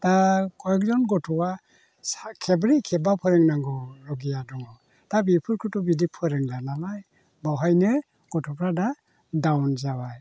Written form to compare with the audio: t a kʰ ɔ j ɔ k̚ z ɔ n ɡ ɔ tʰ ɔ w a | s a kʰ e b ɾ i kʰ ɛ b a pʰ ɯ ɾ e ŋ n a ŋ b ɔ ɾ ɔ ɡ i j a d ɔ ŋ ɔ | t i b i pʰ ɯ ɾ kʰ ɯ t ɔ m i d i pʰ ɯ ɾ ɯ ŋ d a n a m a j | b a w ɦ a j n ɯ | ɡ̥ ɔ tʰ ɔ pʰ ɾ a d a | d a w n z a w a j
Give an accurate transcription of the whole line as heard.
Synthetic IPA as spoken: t a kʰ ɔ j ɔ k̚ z ɔ n ɡ ɔ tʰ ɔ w a | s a kʰ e b ɾ i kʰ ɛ b a pʰ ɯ ɾ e ŋ n a ŋ ɡ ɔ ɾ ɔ ɡ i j a d ɔ ŋ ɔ | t a b i pʰ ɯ ɾ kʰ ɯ t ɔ b i d i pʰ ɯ ɾ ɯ ŋ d a n a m a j | b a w ɦ a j n ɯ | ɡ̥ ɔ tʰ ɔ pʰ ɾ a d a | d a w n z a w a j